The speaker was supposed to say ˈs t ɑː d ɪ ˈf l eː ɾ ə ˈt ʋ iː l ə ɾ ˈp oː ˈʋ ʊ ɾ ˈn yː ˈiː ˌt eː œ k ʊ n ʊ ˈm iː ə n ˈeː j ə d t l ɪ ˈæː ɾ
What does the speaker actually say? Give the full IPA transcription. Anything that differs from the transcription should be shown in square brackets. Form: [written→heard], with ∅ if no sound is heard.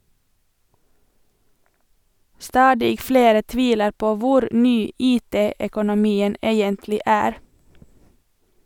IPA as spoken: ˈs t ɑː d ɪ ˈf l eː ɾ ə ˈt ʋ iː l ə ɾ ˈp oː ˈʋ ʊ ɾ ˈn yː ˈiː ˌt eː œ k ʊ n ʊ ˈm iː ə n ˈeː j ə [d→n] t l ɪ ˈæː ɾ